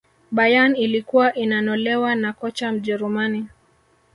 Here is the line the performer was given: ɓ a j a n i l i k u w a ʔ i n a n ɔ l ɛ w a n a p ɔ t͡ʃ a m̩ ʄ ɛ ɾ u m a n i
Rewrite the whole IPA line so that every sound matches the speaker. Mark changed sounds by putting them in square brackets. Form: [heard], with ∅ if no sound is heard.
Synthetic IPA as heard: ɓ a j a n i l i k u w a ʔ i n a n ɔ l ɛ w a n a [k] ɔ t͡ʃ a m̩ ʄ ɛ ɾ u m a n i